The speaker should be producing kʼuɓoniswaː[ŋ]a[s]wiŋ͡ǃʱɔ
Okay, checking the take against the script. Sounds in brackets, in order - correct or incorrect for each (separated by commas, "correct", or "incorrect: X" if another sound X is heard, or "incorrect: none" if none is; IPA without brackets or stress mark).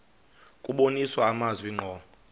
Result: incorrect: m, incorrect: z